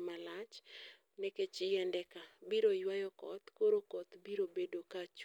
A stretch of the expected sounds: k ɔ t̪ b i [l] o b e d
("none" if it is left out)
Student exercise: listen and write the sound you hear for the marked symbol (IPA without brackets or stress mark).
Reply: ɾ